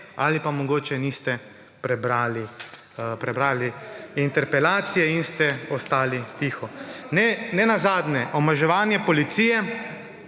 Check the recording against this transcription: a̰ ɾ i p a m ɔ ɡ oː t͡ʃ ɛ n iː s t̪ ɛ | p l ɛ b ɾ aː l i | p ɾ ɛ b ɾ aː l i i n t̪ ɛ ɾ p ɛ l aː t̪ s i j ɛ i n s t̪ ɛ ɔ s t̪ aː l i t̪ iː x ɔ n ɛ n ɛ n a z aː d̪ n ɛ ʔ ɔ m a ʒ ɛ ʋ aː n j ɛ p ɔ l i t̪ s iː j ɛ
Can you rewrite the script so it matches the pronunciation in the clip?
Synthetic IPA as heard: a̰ l i p a m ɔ ɡ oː t͡ʃ ɛ n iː s t̪ ɛ | p ɾ ɛ b ɾ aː l i | p ɾ ɛ b ɾ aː l i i n t̪ ɛ ɾ p ɛ l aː t̪ s i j ɛ i n s t̪ ɛ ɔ s t̪ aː l i t̪ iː x ɔ n ɛ n ɛ n a z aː d̪ n ɛ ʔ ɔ m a ʒ ɛ ʋ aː n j ɛ p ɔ l i t̪ s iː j ɛ